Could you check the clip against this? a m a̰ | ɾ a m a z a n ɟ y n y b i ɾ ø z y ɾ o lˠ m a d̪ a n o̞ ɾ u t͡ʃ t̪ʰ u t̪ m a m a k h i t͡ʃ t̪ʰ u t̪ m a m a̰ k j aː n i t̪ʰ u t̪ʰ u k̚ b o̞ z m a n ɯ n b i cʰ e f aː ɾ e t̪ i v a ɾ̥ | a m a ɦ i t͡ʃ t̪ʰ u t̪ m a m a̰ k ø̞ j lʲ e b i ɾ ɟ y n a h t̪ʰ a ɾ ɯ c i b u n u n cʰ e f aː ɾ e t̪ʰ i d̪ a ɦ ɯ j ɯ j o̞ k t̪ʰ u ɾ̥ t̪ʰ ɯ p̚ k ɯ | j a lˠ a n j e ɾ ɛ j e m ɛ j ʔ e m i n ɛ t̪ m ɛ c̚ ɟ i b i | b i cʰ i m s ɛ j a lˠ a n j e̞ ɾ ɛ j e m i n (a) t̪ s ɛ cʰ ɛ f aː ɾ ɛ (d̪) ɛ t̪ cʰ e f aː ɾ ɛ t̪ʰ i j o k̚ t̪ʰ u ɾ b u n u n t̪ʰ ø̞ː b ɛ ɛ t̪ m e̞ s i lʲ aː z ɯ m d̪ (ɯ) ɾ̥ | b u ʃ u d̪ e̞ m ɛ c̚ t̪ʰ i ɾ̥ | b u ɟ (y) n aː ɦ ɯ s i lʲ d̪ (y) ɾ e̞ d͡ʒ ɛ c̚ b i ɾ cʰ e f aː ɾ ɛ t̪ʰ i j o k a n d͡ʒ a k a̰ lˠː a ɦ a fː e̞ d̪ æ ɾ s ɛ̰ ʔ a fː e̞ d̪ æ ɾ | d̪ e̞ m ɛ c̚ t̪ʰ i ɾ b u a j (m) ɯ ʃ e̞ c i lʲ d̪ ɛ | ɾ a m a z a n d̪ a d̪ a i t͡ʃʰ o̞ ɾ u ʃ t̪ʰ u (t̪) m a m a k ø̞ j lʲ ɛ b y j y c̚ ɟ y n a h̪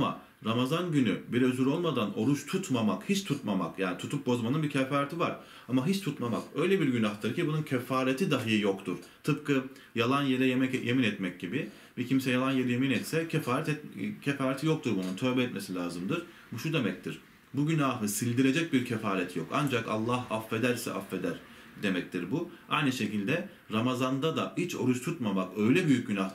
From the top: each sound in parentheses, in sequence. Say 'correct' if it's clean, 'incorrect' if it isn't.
incorrect, incorrect, correct, correct, incorrect, incorrect, correct

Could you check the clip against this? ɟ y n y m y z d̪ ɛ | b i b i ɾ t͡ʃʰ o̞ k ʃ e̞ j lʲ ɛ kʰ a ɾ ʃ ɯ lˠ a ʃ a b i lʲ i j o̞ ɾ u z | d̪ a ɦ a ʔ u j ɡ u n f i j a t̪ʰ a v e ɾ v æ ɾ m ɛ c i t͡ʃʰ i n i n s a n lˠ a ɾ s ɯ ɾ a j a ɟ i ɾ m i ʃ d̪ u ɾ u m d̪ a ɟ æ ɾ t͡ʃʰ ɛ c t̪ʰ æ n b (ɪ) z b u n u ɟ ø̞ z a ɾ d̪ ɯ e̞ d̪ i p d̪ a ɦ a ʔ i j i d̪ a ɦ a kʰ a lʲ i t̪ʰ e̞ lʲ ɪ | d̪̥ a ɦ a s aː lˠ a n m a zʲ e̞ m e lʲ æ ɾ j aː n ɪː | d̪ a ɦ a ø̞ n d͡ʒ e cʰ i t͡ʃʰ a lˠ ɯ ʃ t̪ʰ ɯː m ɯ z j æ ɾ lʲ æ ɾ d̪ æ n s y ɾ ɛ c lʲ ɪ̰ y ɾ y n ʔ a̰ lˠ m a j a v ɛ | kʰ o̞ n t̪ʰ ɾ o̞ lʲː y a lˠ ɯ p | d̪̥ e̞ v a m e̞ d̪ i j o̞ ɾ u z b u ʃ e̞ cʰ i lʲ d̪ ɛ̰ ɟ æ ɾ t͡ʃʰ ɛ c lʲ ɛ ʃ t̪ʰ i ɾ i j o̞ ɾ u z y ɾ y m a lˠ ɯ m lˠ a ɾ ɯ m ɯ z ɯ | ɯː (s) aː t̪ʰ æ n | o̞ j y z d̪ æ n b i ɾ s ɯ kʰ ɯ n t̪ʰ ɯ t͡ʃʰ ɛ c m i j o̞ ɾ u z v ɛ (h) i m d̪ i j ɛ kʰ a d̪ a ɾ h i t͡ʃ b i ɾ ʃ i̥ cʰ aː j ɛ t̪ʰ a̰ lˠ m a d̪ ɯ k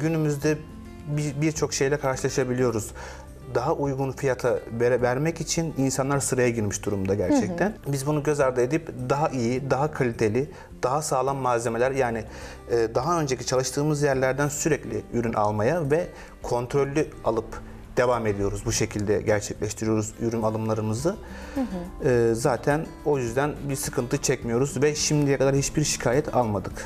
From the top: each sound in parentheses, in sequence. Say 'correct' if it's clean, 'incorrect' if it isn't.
incorrect, incorrect, incorrect

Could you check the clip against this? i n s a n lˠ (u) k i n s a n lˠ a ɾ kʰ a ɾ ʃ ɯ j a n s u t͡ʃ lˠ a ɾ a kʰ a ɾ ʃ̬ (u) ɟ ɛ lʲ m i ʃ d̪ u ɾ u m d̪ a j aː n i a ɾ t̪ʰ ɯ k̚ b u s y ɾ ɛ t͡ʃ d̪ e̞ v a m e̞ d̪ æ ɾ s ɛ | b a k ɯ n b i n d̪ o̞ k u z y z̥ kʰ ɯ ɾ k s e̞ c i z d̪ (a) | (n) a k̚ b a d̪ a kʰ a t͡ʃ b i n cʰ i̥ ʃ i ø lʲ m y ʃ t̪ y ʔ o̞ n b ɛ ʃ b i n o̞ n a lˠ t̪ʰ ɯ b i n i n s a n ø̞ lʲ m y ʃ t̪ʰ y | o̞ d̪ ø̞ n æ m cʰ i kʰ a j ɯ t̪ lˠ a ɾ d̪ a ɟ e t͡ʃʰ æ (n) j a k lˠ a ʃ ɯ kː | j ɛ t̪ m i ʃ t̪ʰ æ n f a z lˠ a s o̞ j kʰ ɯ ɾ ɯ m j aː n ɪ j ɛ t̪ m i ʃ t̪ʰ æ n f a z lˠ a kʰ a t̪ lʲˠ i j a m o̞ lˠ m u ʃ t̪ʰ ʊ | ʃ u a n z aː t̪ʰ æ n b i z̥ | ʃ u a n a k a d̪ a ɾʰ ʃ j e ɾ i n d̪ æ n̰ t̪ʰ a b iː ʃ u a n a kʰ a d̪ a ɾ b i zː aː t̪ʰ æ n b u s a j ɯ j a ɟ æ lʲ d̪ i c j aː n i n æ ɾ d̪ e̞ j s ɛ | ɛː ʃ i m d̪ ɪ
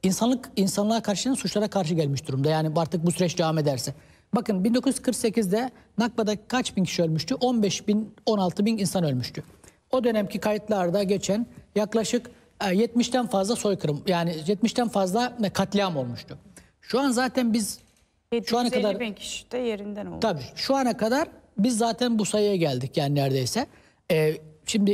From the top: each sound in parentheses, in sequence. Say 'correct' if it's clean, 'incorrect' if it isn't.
incorrect, incorrect, incorrect, correct, correct

